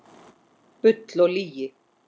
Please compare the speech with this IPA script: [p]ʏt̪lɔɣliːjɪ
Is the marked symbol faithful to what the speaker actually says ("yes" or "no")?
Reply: yes